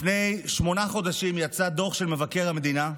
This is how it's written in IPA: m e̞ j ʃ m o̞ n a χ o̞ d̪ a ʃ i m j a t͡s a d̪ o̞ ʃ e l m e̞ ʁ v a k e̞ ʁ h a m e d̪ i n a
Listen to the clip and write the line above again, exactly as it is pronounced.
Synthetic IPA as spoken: n e̞ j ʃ m o̞ n a χ o̞ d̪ a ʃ i m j a t͡s a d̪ o̞ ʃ e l m e̞ v a k e̞ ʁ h a m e d̪ i n a